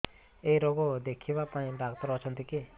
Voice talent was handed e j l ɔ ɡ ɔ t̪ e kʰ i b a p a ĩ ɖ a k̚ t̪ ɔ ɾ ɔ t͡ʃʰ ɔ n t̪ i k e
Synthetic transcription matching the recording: e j ɾ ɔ ɡ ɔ d̪ e kʰ i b a p a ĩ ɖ a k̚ t̪ ɔ ɾ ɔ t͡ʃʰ ɔ n t̪ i k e

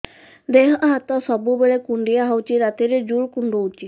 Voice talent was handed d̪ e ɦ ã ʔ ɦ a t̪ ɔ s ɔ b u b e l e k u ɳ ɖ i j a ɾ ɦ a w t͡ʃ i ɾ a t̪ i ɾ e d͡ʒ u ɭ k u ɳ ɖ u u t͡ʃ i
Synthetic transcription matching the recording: d̪ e ɦ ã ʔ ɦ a t̪ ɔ s ɔ b u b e ɭ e k u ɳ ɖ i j a ɦ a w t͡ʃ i ɾ a t̪ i ɾ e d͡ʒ u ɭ k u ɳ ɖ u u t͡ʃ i

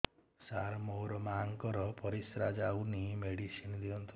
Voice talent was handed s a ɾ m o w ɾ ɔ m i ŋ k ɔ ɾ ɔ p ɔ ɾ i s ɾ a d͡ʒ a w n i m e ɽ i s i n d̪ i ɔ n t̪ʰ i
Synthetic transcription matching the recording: s a ɾ m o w ɾ ɔ m a ŋ k ɔ ɾ ɔ p ɔ ɾ i s ɾ a d͡ʒ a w n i m e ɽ i s i n d̪ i ɔ n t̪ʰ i

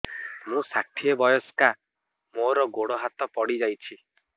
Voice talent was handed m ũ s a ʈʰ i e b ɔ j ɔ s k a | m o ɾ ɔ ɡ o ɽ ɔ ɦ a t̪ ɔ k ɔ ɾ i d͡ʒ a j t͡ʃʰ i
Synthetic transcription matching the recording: m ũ s a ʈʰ i e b ɔ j ɔ s k a | m o ɾ ɔ ɡ o ɽ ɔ ɦ a t̪ ɔ p ɔ ɽ i d͡ʒ a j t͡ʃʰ i

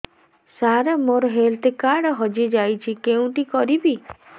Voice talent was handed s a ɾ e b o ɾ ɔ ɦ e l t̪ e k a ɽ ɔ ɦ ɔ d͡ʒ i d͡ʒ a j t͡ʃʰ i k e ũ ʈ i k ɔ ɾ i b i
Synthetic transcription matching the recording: s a ɾ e m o ɾ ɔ ɦ e l t̪ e k a ɽ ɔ ɦ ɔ d͡ʒ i d͡ʒ a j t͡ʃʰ i k e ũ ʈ i k ɔ ɾ i b i

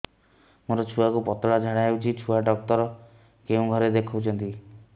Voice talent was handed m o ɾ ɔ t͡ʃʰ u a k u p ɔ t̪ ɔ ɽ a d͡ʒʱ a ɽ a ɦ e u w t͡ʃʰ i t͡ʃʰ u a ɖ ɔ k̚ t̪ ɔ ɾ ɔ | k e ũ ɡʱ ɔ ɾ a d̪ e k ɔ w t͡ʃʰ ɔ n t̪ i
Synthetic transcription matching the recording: m o ɾ ɔ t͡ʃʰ u a k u p ɔ t̪ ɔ ɽ a d͡ʒʱ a ɽ a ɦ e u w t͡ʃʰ i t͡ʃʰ u a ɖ ɔ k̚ t̪ ɔ ɾ ɔ | k e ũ ɡʱ ɔ ɾ e d̪ e kʰ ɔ w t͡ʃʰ ɔ n t̪ i

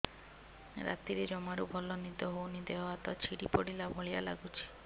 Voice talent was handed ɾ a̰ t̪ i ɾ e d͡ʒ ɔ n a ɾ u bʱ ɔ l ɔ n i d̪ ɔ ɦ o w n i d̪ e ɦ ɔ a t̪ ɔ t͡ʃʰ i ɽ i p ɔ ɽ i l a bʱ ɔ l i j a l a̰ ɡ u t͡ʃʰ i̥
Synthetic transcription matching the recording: ɾ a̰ t̪ i ɾ e d͡ʒ ɔ m a ɾ u bʱ ɔ l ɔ n i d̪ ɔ ɦ o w n i d̪ e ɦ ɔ a t̪ ɔ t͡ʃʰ i ɽ i p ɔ ɽ i l a bʱ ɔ ɭ i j a l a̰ ɡ u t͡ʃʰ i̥

